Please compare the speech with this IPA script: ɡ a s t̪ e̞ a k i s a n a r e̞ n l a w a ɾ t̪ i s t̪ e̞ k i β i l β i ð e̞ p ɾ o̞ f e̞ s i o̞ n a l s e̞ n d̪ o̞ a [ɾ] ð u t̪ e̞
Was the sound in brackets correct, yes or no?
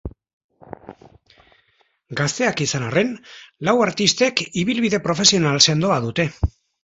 no